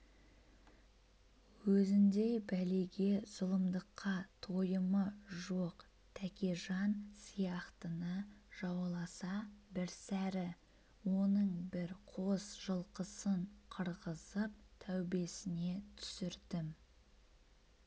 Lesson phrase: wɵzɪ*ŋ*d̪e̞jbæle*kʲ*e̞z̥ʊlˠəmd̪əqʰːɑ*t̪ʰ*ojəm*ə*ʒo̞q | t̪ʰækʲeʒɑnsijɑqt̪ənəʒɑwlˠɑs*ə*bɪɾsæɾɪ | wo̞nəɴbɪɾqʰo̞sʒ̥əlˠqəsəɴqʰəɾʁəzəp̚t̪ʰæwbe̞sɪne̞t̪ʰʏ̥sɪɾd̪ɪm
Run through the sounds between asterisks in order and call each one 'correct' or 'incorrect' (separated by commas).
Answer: incorrect, incorrect, correct, correct, incorrect